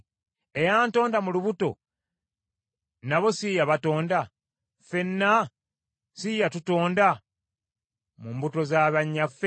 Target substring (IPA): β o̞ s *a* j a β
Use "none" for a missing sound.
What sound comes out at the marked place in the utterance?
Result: i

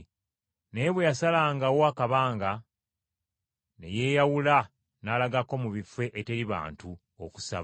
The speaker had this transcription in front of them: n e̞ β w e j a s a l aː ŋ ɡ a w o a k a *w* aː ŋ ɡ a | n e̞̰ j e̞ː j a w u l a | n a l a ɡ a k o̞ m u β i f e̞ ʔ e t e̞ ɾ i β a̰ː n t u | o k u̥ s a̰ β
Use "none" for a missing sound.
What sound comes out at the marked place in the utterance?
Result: β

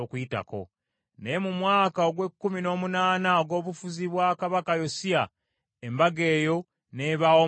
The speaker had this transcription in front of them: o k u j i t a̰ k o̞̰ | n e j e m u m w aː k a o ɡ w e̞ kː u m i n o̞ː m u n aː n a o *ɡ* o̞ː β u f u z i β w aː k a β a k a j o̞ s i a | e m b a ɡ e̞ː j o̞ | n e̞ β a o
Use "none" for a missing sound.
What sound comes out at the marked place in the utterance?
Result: ɡ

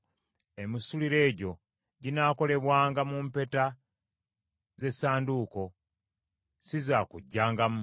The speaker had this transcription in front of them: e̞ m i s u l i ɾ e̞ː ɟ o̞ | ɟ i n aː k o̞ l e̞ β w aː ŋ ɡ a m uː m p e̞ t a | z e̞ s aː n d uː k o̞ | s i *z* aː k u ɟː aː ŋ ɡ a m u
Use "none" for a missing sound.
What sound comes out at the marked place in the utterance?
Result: z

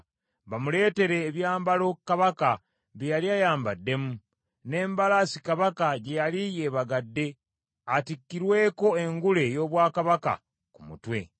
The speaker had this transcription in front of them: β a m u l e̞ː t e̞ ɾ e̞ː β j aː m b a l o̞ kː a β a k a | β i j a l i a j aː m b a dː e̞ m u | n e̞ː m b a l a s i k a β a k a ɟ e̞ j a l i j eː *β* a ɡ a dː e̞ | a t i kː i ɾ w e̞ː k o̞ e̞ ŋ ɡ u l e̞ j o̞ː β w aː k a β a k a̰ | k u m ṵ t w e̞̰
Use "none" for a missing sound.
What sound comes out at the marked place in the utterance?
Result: β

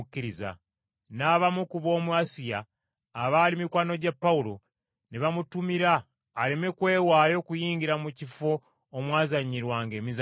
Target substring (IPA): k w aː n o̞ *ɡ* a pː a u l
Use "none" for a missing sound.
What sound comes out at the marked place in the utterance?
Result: ɟ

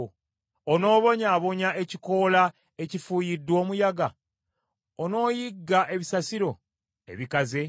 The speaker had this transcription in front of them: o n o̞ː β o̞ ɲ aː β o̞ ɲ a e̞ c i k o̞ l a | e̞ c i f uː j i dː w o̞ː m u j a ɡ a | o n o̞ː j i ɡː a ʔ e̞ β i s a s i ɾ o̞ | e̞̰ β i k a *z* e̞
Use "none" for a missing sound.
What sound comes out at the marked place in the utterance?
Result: z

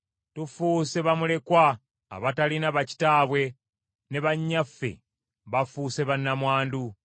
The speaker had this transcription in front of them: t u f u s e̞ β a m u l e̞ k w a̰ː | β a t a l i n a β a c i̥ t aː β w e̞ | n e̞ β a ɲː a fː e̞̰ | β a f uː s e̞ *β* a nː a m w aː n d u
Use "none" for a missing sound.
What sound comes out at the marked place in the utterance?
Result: β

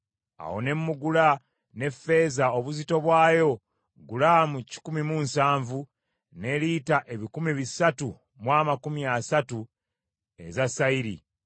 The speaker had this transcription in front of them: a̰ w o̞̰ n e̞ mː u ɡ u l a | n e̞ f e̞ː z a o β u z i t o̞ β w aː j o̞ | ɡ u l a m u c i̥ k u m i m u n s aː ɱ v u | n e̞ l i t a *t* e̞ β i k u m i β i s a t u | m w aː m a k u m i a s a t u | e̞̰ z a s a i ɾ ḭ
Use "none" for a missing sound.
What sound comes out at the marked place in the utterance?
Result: ʔ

